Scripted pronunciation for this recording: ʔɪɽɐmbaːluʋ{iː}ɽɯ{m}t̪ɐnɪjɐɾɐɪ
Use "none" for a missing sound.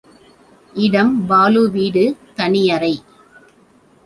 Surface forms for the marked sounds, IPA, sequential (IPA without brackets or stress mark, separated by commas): iː, none